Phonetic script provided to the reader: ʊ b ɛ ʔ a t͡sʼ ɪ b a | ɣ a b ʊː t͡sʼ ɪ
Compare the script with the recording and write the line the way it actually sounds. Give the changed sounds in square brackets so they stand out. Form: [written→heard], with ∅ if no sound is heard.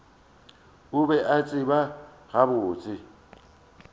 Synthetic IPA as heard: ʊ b ɛ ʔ a t͡sʼ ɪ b a | ɣ a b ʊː t͡sʼ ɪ